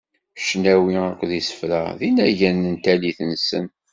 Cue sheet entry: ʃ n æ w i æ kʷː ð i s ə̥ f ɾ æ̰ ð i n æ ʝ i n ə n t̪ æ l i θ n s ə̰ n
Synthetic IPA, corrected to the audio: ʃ n æ w i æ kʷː ð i s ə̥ f ɾ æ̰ ð i n æ ʝ æ n ə n t̪ æ l i θ n s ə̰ n